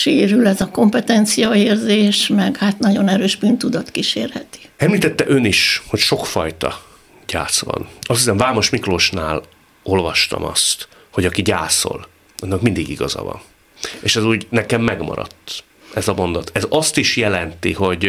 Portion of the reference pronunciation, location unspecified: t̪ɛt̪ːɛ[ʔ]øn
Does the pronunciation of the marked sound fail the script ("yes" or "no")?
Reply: no